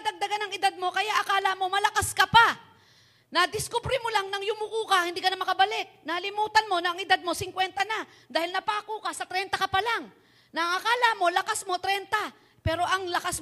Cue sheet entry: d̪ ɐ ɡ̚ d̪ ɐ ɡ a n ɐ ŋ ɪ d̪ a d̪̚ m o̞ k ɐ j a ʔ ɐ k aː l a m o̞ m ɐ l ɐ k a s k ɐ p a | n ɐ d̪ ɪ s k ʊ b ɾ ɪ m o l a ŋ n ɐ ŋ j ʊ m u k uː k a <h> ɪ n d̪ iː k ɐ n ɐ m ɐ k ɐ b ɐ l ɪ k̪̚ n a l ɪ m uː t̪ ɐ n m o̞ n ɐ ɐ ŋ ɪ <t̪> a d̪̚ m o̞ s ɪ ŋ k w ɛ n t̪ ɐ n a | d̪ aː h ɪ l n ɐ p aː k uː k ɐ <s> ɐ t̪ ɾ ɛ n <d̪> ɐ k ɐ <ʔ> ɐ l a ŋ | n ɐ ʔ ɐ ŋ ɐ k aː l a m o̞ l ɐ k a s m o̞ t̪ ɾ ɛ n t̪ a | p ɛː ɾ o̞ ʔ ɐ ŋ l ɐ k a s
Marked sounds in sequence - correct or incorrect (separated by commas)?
correct, incorrect, correct, incorrect, incorrect